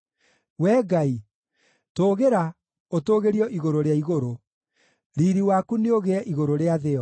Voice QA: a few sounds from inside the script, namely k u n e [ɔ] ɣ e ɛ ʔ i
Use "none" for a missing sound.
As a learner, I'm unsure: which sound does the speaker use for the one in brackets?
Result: o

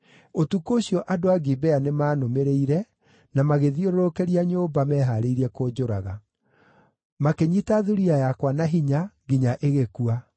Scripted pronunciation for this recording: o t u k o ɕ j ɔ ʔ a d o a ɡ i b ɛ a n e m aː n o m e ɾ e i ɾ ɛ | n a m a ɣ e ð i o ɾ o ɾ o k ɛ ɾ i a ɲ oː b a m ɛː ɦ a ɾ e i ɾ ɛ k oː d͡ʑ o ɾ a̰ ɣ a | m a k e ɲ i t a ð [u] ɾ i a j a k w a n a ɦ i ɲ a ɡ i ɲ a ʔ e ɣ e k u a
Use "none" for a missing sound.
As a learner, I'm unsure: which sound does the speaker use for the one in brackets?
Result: u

